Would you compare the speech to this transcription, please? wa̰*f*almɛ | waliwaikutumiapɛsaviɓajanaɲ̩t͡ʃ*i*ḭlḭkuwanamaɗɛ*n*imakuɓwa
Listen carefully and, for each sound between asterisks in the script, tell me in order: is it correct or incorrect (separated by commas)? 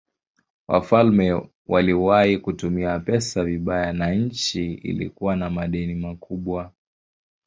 correct, correct, correct